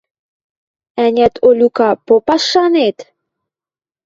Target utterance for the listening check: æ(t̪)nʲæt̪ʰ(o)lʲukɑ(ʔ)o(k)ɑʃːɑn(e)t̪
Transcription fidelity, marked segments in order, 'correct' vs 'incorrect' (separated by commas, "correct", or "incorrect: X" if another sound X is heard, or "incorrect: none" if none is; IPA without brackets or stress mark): incorrect: none, correct, incorrect: p, incorrect: p, correct